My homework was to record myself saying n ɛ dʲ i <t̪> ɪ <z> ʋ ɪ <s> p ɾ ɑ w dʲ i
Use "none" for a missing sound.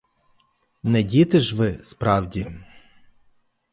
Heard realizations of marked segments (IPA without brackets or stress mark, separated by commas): t̪, ʒ, s